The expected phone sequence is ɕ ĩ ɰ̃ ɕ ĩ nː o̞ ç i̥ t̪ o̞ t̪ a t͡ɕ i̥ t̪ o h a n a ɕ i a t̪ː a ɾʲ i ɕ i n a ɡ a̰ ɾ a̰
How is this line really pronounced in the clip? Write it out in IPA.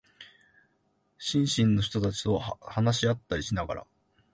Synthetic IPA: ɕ ĩ ɰ̃ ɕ ĩ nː o̞ ç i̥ t̪ o̞ t̪ a t͡ɕ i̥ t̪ o h a n a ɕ i a t̪ː a ɾʲ i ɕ i n a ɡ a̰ ɾ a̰